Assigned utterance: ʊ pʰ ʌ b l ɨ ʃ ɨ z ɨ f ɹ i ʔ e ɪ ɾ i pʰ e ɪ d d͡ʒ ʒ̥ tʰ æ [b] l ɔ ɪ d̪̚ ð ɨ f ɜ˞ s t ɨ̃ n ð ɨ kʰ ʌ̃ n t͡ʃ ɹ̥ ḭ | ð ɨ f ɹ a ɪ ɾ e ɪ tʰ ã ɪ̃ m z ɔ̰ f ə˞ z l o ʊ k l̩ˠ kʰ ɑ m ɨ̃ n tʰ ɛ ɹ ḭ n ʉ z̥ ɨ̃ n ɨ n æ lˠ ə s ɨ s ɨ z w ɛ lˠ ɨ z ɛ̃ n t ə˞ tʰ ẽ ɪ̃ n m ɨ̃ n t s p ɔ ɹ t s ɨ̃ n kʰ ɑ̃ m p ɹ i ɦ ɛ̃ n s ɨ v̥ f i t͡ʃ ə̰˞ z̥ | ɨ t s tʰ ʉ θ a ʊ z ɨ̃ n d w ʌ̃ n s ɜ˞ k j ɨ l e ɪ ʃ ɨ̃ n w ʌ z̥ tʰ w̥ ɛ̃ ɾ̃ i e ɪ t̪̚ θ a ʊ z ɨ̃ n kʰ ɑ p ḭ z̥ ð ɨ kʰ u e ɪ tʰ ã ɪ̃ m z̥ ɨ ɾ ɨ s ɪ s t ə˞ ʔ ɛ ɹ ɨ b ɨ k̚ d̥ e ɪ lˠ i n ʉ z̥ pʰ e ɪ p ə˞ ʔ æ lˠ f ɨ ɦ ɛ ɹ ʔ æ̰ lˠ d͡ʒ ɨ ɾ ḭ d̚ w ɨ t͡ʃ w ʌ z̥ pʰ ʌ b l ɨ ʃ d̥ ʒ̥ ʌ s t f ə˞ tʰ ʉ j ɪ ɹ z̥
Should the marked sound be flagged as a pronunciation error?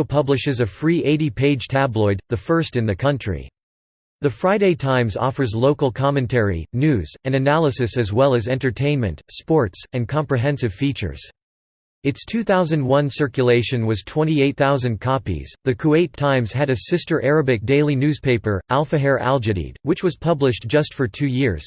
no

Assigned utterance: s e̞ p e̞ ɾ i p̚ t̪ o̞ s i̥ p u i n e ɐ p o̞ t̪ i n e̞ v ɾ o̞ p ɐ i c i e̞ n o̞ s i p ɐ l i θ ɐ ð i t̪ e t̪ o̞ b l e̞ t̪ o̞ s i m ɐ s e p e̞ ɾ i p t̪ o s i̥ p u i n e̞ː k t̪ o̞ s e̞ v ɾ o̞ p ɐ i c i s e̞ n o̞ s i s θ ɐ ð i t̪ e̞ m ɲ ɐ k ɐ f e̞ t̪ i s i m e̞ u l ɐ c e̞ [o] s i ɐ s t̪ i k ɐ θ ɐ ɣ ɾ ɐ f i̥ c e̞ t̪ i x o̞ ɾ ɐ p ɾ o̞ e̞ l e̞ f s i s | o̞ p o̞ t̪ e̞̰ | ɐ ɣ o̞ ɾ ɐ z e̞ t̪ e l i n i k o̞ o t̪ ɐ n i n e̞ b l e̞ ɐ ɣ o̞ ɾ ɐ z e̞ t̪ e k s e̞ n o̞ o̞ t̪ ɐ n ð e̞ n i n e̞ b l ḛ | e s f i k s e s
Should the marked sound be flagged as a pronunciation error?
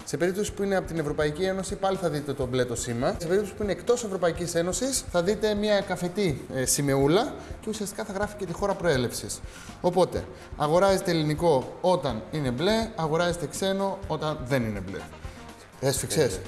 yes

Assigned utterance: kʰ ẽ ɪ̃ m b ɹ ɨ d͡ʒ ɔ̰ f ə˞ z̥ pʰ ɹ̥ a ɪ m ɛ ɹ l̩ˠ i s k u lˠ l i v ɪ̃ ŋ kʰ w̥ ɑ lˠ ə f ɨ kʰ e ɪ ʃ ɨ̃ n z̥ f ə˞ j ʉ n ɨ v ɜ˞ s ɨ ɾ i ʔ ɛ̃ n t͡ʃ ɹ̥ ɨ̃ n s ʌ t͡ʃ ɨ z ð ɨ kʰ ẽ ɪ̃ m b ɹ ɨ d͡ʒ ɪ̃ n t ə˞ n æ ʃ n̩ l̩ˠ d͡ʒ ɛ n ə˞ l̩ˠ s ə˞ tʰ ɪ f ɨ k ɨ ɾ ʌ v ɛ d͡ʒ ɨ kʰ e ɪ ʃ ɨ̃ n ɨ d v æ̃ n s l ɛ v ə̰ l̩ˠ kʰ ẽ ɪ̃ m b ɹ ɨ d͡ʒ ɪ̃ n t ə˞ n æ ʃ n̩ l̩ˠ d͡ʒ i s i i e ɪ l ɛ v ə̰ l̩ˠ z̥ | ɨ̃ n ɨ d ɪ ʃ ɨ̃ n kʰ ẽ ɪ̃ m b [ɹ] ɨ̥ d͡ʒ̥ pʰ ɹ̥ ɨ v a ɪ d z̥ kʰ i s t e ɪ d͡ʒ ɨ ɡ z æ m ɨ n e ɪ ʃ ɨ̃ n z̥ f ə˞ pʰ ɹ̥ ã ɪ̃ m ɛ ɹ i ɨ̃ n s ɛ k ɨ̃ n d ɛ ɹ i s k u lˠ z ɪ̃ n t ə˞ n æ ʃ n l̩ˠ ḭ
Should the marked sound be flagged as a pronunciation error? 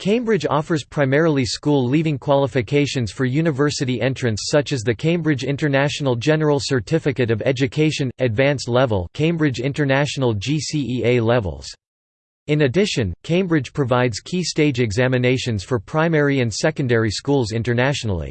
no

